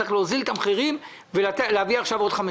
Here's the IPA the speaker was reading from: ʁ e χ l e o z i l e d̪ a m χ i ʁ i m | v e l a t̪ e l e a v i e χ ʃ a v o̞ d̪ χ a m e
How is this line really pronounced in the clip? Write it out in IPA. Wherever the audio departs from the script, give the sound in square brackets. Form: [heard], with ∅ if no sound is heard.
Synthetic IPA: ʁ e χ l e o z i l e [t̪] a m χ i ʁ i m | v e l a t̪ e l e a v i [a] χ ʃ a v o̞ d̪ χ a m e